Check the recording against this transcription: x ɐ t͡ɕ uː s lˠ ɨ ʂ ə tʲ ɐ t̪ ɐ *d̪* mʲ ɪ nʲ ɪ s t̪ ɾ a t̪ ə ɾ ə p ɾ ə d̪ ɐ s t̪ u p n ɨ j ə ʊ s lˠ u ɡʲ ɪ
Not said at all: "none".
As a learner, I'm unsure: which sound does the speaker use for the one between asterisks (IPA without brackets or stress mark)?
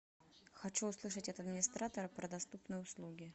d̪